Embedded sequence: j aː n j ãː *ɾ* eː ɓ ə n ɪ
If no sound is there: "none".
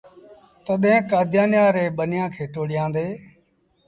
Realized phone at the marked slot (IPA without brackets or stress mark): ɾ